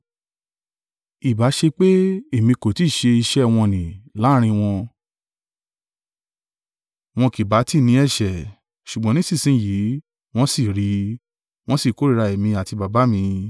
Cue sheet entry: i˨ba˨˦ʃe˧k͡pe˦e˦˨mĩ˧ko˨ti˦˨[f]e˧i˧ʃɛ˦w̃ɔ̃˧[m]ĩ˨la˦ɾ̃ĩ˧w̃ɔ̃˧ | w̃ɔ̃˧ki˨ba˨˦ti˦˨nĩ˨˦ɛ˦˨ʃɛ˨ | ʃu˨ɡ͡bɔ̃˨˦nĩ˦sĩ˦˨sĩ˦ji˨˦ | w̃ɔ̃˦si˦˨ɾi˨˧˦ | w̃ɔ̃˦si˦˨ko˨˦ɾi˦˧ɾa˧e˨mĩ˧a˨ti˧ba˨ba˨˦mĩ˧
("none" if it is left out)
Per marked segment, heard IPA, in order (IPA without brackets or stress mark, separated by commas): ʃ, n